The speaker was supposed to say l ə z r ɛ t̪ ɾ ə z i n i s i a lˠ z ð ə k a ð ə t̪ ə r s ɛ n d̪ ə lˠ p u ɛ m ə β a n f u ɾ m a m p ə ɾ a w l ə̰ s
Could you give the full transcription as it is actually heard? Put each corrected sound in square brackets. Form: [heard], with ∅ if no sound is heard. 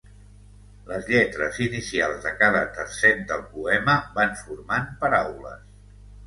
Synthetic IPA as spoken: l ə z [ʎ] ɛ t̪ ɾ ə z i n i s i a lˠ z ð ə k a ð ə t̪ ə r s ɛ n d̪ ə lˠ p u ɛ m ə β a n f u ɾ m a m p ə ɾ a w l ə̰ s